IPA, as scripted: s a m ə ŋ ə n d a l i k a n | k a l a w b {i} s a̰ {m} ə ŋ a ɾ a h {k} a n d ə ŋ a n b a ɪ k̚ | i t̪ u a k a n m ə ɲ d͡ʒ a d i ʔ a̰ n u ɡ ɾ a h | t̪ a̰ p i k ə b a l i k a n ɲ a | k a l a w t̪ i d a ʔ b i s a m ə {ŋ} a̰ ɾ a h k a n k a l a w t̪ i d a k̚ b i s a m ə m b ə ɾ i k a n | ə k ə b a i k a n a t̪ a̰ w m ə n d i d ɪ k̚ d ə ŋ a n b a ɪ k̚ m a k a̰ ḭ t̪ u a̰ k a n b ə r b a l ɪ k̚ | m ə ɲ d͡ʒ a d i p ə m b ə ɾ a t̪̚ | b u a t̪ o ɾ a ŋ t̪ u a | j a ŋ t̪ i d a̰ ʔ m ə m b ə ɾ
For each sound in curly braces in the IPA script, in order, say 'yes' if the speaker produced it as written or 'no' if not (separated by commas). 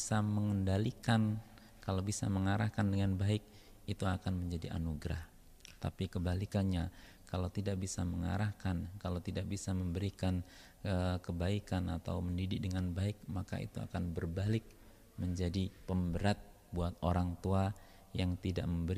yes, yes, yes, yes